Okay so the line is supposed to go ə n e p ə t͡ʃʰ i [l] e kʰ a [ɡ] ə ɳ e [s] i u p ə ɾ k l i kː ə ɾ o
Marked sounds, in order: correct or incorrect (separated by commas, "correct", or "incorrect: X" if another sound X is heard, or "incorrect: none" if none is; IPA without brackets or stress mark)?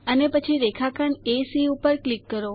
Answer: incorrect: ɾ, incorrect: k, correct